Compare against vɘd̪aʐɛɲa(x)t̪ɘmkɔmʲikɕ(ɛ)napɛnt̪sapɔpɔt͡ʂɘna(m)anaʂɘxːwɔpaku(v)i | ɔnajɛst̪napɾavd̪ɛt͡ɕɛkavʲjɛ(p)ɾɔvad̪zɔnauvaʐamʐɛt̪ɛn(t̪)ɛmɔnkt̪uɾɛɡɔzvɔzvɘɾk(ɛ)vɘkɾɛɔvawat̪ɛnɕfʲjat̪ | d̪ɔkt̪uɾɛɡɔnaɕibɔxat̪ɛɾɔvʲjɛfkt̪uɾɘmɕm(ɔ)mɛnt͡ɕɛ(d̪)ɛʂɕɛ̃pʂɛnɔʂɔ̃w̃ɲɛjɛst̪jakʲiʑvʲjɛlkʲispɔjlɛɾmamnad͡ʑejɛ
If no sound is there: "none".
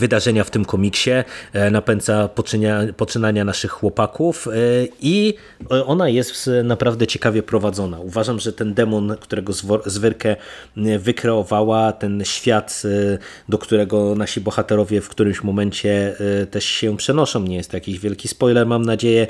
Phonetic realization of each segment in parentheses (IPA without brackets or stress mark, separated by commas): f, ɛ, ɲ, f, p, d̪, ɛ, ɔ, t̪